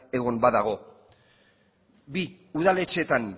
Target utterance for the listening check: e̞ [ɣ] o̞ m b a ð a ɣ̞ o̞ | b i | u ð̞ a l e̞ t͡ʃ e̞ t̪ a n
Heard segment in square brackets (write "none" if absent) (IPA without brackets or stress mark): ɣ